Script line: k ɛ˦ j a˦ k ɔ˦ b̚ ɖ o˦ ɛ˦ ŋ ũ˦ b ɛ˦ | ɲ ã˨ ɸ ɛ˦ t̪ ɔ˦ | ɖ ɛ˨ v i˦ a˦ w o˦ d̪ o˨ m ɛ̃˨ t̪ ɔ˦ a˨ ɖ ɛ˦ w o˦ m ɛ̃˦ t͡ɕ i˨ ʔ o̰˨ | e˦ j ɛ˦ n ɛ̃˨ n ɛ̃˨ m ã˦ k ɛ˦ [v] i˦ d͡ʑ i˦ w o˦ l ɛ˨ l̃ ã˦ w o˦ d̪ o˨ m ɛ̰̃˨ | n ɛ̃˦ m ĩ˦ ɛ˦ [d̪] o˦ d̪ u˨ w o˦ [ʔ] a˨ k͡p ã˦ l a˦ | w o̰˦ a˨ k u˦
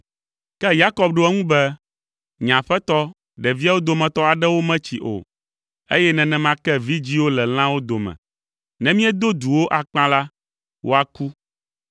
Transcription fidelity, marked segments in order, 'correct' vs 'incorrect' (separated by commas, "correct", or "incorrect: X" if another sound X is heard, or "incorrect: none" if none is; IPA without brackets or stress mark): correct, correct, correct